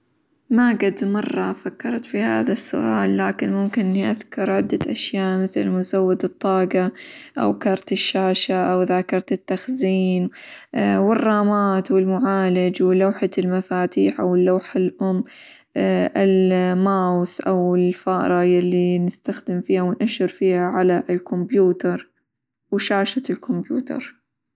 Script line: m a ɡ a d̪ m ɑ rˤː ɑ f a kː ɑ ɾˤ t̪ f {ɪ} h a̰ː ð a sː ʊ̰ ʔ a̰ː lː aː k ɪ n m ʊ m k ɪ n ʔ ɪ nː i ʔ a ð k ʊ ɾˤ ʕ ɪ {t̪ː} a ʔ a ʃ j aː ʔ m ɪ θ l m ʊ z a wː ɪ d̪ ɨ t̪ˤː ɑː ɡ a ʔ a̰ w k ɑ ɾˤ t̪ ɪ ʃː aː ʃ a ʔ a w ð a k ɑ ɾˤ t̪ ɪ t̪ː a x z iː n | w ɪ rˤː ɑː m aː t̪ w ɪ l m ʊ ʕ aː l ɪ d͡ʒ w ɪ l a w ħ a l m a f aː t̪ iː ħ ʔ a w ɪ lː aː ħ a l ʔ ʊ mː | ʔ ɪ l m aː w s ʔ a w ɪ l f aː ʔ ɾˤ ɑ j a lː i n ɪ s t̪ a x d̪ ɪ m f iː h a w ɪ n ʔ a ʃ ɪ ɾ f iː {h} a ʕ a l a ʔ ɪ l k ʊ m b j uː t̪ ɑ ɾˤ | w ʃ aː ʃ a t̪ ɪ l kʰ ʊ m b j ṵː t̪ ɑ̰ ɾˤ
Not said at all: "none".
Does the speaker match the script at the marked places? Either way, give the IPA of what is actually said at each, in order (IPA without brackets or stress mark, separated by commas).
i, d̪ː, h